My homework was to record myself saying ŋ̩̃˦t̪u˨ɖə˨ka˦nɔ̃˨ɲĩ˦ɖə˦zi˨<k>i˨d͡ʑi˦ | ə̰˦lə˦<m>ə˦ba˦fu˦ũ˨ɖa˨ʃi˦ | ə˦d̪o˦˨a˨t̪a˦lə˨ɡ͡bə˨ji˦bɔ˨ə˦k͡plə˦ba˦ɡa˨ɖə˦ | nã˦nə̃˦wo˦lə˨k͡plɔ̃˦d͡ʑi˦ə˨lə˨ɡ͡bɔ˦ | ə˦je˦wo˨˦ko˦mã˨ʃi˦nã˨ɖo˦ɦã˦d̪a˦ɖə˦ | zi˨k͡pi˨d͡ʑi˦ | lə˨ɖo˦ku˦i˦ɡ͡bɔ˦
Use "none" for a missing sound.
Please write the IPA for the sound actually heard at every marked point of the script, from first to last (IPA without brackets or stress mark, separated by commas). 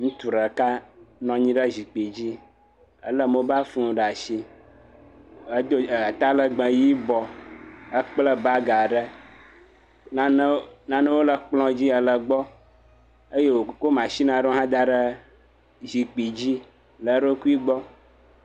k͡p, m